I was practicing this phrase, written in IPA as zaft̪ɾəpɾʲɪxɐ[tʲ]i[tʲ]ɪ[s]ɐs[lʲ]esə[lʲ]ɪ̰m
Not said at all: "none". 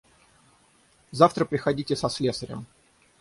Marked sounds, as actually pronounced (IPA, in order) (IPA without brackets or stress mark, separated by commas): dʲ, tʲ, s, lʲ, ɾʲ